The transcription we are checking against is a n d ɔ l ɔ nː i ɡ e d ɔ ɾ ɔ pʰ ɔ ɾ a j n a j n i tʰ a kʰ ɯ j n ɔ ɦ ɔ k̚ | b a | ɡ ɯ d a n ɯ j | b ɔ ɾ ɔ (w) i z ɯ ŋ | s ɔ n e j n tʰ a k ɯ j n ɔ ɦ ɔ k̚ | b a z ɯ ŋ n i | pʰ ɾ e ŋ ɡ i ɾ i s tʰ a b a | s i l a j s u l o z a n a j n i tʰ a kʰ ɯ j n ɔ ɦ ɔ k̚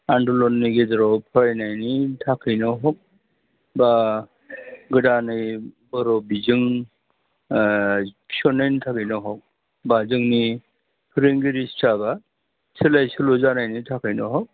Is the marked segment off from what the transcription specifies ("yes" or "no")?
yes